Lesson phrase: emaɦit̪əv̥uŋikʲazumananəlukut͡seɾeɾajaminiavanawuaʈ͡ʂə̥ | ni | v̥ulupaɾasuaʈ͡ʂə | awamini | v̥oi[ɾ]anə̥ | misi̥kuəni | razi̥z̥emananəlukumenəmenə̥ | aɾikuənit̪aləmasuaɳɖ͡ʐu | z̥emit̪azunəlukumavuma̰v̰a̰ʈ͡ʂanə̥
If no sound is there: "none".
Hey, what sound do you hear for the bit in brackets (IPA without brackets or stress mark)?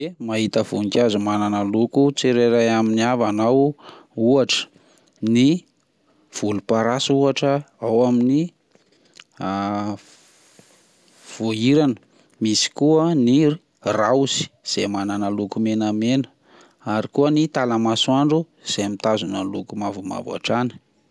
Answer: ɾ